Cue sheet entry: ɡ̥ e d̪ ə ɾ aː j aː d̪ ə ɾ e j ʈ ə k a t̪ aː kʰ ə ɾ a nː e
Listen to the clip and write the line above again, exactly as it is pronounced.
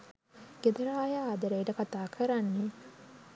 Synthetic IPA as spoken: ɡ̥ e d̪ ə ɾ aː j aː d̪ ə ɾ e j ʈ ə k a t̪ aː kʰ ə ɾ a nː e